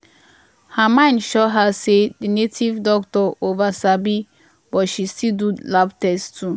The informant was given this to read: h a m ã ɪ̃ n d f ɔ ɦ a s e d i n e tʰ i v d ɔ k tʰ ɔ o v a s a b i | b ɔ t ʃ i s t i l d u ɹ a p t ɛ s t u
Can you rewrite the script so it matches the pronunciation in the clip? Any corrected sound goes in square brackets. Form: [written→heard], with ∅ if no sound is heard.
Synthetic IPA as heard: h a m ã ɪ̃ n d [f→ʃ] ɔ ɦ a s e d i n e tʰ i v d ɔ k [tʰ→t] ɔ o v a s a b i | b ɔ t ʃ i s t i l d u [ɹ→l] a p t ɛ s t u